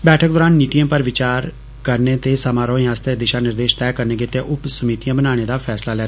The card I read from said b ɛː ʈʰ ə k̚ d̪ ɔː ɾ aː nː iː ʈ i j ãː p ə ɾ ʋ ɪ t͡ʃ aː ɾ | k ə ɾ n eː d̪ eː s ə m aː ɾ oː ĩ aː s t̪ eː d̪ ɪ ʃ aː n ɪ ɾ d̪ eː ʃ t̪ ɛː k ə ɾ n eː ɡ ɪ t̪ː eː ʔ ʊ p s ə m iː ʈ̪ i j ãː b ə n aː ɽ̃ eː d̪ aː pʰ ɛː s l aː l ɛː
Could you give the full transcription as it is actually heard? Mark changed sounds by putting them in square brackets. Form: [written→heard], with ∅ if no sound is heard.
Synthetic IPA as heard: b ɛː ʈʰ ə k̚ d̪ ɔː ɾ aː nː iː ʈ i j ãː p ə ɾ ʋ ɪ t͡ʃ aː ɾ | k ə ɾ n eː [d̪→t̪] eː s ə m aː ɾ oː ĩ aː s t̪ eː d̪ ɪ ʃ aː n ɪ ɾ d̪ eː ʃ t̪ ɛː k ə ɾ n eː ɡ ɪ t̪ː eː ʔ ʊ p s ə m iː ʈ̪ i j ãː b ə n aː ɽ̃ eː d̪ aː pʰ ɛː s l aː l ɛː